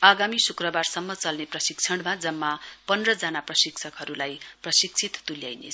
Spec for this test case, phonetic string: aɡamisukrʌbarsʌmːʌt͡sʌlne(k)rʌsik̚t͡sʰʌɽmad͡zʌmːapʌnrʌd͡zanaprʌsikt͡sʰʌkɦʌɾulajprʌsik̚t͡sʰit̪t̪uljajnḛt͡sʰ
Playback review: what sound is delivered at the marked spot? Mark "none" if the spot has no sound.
p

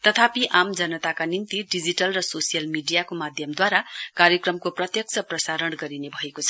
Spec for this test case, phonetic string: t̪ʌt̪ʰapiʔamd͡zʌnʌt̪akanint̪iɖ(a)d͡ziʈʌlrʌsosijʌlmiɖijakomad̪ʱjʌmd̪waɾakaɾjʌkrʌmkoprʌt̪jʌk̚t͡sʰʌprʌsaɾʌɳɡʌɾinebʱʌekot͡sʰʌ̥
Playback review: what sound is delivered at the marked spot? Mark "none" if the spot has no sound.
i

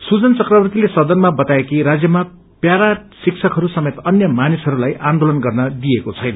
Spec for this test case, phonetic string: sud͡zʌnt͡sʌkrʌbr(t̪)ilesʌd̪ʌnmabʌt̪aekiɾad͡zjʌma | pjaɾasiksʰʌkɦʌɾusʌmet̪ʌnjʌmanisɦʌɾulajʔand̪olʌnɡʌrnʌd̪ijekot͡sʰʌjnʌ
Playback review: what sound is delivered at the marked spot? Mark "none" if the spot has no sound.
t̪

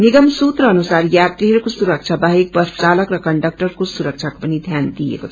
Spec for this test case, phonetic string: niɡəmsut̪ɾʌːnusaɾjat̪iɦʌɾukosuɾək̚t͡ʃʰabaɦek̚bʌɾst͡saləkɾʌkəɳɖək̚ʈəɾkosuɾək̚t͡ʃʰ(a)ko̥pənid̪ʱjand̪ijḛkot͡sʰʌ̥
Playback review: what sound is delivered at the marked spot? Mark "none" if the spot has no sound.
a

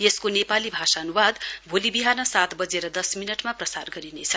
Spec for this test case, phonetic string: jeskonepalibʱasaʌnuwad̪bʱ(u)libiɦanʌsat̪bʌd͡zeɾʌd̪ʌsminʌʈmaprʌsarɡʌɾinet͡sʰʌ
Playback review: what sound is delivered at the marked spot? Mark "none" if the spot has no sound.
o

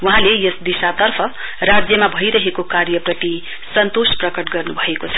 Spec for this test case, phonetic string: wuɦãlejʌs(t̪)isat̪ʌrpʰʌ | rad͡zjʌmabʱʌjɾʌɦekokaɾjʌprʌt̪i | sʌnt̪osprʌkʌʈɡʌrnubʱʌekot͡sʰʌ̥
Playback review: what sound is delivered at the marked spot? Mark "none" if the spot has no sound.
d̪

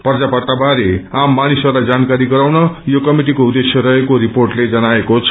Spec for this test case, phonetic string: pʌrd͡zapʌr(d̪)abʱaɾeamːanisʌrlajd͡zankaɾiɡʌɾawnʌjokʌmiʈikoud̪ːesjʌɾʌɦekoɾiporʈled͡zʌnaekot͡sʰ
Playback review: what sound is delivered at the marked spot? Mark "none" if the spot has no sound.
t̪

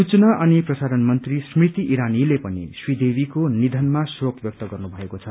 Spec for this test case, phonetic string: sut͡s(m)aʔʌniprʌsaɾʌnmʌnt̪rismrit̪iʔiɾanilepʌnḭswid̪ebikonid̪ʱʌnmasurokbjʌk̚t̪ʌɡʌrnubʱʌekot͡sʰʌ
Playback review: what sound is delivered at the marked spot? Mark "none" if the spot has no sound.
n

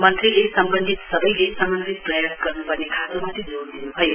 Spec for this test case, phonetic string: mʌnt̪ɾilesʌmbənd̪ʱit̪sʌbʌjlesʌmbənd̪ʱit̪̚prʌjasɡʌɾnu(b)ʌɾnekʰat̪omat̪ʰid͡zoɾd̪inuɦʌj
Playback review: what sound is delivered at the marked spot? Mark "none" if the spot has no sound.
p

